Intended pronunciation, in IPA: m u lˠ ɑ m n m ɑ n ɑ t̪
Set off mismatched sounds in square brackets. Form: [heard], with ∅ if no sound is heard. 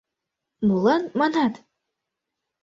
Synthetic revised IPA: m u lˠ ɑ [∅] n m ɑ n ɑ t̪